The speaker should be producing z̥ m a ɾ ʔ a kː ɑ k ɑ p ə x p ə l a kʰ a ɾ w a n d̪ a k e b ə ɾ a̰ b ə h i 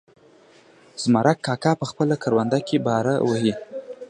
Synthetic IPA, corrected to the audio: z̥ m a ɾ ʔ a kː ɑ k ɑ p ə x p ə l a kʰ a ɾ w a n d̪ a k e b ɑ ɾ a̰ w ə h i